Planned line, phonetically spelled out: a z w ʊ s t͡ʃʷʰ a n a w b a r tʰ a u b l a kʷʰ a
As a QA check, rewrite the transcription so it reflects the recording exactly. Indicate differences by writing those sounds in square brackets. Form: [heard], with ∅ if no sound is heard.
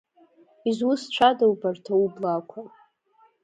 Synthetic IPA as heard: [i] z w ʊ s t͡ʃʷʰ a [d] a w b a r tʰ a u b l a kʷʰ a